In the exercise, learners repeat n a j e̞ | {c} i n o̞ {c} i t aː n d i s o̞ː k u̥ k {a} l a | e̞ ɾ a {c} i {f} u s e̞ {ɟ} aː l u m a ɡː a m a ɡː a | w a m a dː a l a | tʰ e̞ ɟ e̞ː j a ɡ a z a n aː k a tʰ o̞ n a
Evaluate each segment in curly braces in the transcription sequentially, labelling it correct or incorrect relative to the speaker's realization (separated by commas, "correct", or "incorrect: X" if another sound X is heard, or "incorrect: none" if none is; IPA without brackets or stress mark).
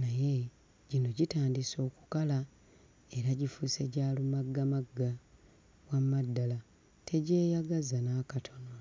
incorrect: ɟ, incorrect: ɟ, correct, incorrect: ɟ, correct, correct